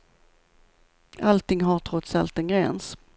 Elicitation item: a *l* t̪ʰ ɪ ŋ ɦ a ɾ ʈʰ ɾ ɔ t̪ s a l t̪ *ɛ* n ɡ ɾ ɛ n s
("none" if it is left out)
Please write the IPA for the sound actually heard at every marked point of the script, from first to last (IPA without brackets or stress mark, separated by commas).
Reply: l, ɛ